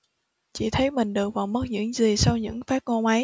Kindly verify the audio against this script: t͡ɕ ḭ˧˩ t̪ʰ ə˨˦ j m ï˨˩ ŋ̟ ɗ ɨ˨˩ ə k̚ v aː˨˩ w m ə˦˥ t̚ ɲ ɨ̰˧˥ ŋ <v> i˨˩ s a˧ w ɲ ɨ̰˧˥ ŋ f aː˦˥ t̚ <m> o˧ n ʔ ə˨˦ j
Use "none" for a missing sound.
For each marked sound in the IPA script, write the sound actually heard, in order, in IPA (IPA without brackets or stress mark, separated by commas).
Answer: z, ŋ